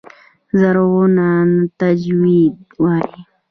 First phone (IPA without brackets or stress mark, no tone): z